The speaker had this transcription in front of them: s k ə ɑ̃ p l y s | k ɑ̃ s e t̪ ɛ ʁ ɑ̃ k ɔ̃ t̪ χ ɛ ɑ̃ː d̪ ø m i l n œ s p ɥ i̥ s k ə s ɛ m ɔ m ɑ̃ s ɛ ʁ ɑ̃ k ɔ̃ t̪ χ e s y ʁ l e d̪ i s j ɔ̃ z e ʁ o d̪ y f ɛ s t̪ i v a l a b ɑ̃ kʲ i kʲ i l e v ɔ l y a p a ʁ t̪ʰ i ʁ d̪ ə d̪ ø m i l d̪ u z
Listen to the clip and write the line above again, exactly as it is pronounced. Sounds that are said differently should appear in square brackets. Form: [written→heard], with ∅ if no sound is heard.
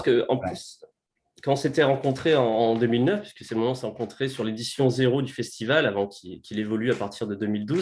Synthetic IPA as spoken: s k ə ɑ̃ p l y s | k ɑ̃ s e t̪ ɛ ʁ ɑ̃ k ɔ̃ t̪ χ [ɛ→e] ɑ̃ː d̪ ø m i l n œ [s→f] p ɥ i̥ s k ə s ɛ m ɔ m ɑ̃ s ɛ ʁ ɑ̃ k ɔ̃ t̪ χ e s y ʁ l e d̪ i s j ɔ̃ z e ʁ o d̪ y f ɛ s t̪ i v a l a [b→v] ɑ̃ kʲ i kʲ i l e v ɔ l y a p a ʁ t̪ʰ i ʁ d̪ ə d̪ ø m i l d̪ u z